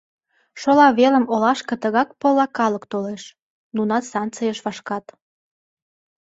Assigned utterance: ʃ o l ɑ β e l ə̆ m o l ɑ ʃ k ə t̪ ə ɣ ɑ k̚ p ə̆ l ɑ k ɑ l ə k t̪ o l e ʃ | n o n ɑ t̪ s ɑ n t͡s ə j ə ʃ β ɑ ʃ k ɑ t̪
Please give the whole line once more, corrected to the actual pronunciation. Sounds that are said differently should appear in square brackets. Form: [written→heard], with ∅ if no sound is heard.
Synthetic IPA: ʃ o l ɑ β e l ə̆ m o l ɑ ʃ k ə t̪ ə ɣ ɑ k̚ p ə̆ l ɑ k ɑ l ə k t̪ o l e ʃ | n [o→u] n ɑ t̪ s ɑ n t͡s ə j ə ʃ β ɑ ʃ k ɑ t̪